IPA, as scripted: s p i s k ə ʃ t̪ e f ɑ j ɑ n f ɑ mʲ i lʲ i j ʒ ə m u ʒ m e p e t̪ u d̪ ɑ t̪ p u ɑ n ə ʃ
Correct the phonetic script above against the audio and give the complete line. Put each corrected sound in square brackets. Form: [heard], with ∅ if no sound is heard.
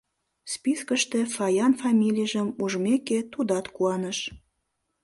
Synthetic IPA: s p i s k ə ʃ t̪ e f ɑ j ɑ n f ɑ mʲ i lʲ i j ʒ ə m u ʒ m e [k] e t̪ u d̪ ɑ t̪ [k] u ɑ n ə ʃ